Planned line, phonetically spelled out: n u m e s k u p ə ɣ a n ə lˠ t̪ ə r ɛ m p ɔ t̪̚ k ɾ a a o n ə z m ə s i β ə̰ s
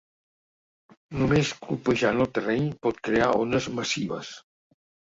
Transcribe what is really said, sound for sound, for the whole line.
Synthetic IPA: n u m e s k u p ə ʒ a n ə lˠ t̪ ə r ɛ ɲ p ɔ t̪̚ k ɾ e a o n ə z m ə s i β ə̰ s